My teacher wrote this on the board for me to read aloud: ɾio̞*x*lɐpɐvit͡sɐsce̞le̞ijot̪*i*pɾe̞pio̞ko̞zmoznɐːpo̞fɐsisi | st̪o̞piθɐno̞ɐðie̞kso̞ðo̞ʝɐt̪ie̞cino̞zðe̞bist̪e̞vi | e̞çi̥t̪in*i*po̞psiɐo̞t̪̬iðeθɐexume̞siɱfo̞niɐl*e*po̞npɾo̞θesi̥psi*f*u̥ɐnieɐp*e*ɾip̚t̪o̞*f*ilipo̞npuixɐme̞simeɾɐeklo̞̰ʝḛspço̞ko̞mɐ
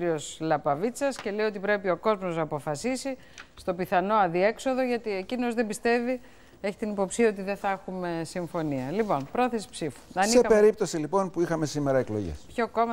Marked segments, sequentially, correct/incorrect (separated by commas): incorrect, correct, correct, incorrect, correct, correct, incorrect